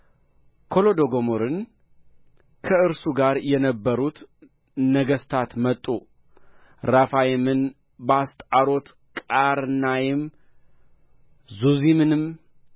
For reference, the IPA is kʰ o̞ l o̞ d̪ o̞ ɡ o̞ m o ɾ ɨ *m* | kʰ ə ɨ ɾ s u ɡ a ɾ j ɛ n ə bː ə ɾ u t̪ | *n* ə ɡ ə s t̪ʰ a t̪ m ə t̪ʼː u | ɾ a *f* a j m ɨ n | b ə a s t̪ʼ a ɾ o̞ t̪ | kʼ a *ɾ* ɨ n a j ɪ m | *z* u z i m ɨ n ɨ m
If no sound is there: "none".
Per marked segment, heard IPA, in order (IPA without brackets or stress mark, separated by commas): n, n, f, ɾ, z